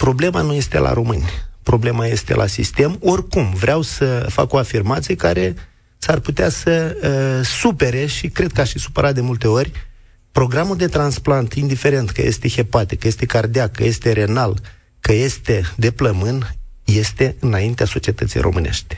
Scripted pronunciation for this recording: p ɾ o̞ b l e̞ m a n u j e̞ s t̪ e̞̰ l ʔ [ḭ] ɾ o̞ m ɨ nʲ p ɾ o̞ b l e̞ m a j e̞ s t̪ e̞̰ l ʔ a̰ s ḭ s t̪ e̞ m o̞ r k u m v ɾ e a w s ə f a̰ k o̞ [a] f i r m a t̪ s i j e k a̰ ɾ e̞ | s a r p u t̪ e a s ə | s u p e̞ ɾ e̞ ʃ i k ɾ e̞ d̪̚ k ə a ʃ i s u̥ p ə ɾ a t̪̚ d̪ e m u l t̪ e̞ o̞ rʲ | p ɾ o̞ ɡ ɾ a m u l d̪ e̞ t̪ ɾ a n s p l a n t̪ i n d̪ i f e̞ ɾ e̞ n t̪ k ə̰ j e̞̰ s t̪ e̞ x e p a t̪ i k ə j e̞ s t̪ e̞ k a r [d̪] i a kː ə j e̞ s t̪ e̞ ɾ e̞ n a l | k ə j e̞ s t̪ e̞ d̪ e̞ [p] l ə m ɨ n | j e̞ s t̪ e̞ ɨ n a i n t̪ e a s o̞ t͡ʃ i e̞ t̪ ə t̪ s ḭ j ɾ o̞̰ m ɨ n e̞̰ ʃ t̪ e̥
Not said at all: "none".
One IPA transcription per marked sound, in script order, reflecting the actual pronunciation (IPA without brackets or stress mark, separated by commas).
a̰, a, d̪, p